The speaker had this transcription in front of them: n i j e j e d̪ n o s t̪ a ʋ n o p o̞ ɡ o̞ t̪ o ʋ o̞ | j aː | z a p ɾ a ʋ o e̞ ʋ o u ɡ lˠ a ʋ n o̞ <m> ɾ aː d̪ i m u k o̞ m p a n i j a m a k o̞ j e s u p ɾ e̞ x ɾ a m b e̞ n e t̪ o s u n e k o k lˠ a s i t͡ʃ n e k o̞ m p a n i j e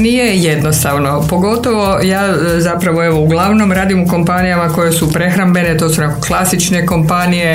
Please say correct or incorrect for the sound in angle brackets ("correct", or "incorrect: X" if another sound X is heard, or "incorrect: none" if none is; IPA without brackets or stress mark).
correct